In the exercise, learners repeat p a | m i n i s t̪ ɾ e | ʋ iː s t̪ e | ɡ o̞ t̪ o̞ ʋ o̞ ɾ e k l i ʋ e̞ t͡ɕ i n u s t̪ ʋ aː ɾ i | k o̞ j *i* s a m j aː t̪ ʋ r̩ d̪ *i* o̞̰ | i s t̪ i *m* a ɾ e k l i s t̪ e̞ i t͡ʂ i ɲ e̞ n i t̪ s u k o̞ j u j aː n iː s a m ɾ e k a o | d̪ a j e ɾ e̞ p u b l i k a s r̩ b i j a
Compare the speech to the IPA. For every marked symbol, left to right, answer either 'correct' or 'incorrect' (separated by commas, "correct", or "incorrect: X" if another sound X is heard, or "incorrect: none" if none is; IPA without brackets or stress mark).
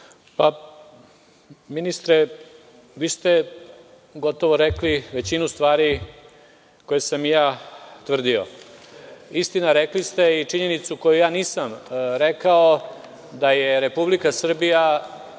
incorrect: e, correct, incorrect: n